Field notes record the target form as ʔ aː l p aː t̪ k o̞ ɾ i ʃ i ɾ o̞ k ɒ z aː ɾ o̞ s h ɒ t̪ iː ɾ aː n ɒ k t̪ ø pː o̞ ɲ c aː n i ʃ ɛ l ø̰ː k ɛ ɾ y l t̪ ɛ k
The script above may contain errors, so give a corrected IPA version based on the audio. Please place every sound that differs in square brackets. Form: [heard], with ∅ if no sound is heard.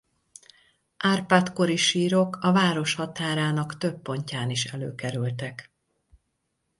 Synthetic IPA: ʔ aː [r] p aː t̪ k o̞ ɾ i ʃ [iː] ɾ o̞ k ɒ [v] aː ɾ o̞ [ʃ] h ɒ t̪ [aː] ɾ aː n ɒ k t̪ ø pː o̞ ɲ c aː n i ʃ ɛ l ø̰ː k ɛ ɾ y l t̪ ɛ k